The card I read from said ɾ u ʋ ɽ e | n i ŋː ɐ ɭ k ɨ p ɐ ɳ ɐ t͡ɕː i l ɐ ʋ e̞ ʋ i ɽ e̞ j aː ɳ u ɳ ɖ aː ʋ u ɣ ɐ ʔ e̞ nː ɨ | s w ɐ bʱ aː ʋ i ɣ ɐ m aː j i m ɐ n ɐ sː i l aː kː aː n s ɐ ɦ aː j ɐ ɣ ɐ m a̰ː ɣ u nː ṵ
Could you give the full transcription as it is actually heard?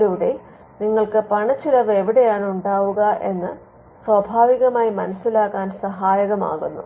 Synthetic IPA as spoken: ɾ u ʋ ɽ e | n i ŋː ɐ ɭ k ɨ p ɐ ɳ ɐ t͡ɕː i l ɐ ʋ e̞ ʋ i ɽ e̞ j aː ɳ u ɳ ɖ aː ʋ u ɣ ɐ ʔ e̞ nː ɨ | s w ɐ bʱ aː ʋ i ɣ ɐ m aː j i m ɐ n ɐ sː i l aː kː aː n s ɐ ɦ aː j ɐ ɣ ɐ m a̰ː ɣ u nː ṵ